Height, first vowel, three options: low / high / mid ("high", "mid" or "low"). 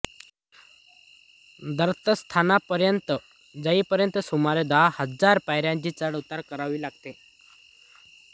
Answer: mid